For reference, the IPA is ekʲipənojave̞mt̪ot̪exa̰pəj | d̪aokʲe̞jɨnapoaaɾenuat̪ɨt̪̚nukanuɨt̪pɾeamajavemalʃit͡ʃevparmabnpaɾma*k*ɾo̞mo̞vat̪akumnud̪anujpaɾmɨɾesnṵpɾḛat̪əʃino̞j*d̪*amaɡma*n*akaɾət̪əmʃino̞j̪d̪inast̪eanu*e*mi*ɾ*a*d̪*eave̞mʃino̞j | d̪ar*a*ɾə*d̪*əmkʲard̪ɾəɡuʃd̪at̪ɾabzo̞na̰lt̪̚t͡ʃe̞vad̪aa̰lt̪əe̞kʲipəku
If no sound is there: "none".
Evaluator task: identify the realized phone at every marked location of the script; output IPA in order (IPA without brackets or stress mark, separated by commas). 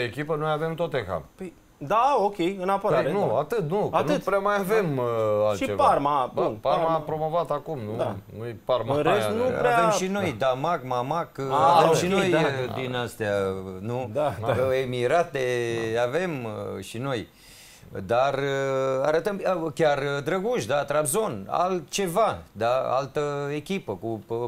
p, d̪, m, e, ɾ, t̪, a, t̪